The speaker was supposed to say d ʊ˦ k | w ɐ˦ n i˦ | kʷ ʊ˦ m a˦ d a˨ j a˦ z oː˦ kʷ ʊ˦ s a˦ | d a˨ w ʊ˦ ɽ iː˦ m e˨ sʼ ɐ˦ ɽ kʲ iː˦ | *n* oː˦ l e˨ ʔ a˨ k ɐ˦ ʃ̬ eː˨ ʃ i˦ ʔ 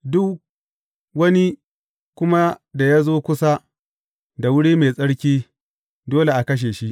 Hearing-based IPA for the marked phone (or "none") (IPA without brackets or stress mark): d